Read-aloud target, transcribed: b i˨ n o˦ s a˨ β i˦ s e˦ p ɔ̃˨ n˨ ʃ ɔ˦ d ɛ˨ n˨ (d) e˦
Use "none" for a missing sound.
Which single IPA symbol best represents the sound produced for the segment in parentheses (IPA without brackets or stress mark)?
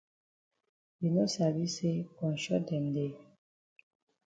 d